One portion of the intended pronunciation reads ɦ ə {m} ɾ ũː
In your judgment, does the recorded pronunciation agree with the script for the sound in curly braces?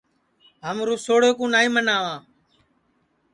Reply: yes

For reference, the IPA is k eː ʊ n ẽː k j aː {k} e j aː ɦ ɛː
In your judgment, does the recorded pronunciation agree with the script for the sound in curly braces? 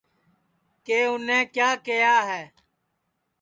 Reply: yes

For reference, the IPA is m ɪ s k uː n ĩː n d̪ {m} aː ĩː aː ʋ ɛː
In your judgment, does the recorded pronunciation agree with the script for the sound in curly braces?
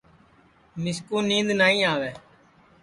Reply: no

